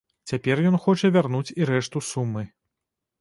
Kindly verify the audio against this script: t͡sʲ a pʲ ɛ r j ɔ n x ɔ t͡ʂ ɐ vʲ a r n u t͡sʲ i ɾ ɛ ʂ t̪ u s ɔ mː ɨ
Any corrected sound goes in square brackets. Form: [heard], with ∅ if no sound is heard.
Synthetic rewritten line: t͡sʲ a pʲ ɛ r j ɔ n x ɔ t͡ʂ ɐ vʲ a r n u t͡sʲ i ɾ ɛ ʂ t̪ u s [u] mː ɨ